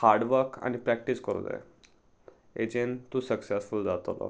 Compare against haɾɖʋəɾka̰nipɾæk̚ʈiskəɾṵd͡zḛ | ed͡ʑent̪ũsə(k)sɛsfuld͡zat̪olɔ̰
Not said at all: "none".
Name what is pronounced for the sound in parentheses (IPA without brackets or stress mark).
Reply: k